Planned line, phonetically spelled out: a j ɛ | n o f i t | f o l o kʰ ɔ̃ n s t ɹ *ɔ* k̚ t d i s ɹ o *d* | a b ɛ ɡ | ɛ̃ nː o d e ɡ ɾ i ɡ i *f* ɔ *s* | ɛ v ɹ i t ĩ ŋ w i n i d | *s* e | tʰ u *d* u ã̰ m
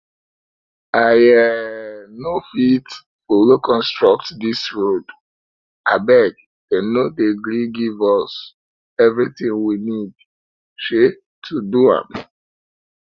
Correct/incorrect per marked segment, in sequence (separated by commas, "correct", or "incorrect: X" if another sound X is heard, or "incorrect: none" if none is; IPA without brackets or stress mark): correct, correct, incorrect: v, correct, incorrect: ʃ, correct